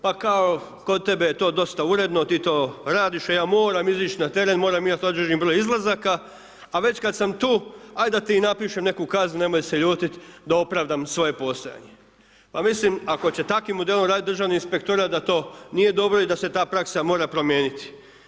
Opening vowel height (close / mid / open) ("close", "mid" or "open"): open